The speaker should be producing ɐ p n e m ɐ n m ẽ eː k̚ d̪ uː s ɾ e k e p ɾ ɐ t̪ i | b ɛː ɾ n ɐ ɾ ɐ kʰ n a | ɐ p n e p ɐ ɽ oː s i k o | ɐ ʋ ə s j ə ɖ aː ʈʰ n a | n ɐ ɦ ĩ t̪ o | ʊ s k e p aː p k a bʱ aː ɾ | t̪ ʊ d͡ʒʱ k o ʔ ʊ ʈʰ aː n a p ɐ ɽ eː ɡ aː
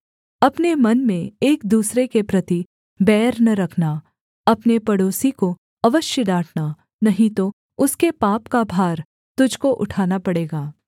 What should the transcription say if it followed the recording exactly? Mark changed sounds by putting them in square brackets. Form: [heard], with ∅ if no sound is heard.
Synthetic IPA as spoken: ɐ p n e m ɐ n m ẽ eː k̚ d̪ uː s ɾ e k e p ɾ ɐ t̪ i | b ɛː ɾ n ɐ ɾ ɐ kʰ n a | ɐ p n e p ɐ ɽ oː s i k o | ɐ ʋ ə [ʃ] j ə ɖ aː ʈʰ n a | n ɐ ɦ ĩ t̪ o | ʊ s k e p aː p k a bʱ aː ɾ | t̪ ʊ d͡ʒʱ k o ʔ ʊ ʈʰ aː n a p ɐ ɽ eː ɡ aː